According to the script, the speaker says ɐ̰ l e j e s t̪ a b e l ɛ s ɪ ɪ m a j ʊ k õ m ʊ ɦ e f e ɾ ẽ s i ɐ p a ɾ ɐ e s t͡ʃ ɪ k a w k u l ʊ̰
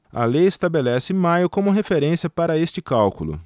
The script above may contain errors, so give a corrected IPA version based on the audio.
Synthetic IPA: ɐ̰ l e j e s t̪ a b e l ɛ s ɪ ɪ m a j ʊ k õ m ʊ ɦ e f e ɾ ẽ s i ɐ p a ɾ ɐ e s t͡ʃ ɪ k a w k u l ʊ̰